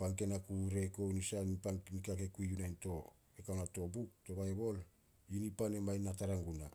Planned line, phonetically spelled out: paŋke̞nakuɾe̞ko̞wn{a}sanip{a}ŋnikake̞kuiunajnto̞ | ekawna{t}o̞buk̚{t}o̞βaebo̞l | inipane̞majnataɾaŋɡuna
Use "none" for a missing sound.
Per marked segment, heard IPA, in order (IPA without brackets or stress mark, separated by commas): i, a, t, t